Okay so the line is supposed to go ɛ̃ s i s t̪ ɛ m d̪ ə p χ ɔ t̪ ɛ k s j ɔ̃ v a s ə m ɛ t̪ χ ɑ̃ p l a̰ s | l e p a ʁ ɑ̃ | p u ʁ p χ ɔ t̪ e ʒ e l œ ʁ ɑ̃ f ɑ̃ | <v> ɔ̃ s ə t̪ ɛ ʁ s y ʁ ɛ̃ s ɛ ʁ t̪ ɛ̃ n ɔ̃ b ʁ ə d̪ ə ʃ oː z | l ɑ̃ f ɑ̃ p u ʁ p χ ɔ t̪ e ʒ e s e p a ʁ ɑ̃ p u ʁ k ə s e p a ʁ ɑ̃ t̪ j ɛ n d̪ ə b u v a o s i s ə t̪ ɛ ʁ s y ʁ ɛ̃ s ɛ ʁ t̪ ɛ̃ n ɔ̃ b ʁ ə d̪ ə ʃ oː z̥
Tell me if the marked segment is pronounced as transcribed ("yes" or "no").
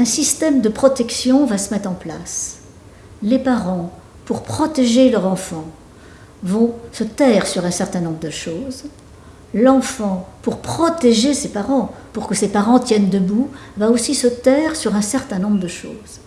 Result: yes